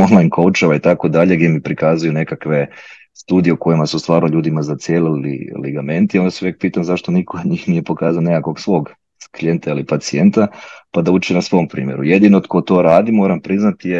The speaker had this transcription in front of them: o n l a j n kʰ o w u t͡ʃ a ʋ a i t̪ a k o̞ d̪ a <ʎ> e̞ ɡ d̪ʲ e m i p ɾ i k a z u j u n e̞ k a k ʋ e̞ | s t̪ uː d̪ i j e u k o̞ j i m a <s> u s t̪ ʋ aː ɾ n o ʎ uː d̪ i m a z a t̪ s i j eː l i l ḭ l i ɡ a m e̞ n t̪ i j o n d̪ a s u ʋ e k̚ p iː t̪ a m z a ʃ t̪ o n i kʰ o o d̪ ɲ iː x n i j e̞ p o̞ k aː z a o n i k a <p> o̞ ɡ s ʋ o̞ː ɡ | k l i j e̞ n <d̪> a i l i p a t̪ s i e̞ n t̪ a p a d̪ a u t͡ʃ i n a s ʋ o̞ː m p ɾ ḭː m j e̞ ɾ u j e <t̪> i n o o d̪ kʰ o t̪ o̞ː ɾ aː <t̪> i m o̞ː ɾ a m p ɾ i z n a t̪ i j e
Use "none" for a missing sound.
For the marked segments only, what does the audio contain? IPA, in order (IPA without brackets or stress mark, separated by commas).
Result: ʎ, s, k, t̪, d̪, d̪